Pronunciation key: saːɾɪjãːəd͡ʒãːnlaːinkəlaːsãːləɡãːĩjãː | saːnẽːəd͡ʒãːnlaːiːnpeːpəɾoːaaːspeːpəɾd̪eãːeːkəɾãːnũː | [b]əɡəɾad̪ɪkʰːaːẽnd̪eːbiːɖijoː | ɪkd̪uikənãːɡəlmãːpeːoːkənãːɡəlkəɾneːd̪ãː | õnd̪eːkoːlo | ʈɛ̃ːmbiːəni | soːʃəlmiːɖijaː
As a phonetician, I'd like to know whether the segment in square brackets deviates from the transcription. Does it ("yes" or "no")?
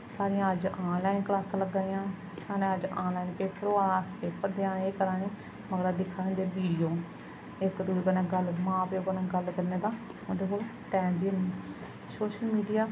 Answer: yes